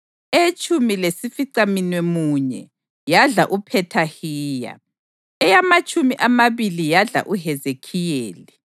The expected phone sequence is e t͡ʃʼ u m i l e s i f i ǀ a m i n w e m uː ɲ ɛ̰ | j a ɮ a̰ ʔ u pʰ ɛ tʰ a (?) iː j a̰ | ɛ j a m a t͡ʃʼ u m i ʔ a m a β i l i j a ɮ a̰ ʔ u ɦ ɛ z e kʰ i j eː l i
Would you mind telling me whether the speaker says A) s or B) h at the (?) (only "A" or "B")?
B